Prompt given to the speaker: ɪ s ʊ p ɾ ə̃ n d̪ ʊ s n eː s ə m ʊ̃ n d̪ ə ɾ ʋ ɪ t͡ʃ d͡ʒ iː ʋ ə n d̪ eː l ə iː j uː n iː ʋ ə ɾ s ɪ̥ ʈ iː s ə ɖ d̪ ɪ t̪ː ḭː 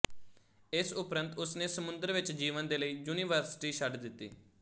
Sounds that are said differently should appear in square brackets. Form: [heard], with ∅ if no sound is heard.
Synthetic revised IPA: ɪ s ʊ p ɾ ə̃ n [t̪] ʊ s n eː s ə m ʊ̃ n d̪ ə ɾ ʋ ɪ t͡ʃ d͡ʒ iː ʋ ə n d̪ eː l ə iː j uː n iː ʋ ə ɾ s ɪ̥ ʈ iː [ʃ] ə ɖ d̪ ɪ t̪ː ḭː